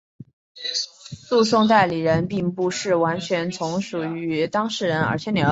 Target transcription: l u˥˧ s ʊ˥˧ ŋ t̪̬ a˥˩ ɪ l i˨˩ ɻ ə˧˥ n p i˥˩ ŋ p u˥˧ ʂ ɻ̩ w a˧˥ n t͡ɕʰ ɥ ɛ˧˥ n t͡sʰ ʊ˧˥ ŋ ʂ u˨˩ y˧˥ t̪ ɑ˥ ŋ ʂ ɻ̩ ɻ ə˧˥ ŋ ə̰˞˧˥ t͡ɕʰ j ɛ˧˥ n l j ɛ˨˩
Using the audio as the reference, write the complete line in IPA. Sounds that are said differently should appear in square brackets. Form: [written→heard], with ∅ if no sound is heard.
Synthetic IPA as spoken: l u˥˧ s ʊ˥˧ ŋ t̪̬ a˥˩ ɪ l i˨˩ ɻ ə˧˥ n p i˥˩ ŋ p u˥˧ ʂ ɻ̩ w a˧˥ n t͡ɕʰ ɥ ɛ˧˥ n t͡sʰ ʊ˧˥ ŋ ʂ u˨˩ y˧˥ t̪ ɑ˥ ŋ ʂ ɻ̩ ɻ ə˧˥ [ŋ→n] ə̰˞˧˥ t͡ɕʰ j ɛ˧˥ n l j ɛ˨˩